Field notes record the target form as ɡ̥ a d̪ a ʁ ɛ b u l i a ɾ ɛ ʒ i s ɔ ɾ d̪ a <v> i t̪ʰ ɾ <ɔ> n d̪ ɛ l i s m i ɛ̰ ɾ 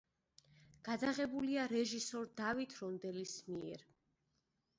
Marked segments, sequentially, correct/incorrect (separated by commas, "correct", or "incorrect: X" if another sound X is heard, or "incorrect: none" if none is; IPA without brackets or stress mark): correct, correct